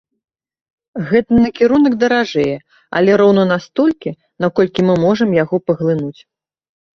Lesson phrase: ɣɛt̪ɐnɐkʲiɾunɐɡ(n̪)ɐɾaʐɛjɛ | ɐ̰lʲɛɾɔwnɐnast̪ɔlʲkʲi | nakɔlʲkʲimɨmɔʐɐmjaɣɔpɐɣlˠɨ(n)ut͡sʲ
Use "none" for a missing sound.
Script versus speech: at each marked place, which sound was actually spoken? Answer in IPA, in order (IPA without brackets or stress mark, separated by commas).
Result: d̪, n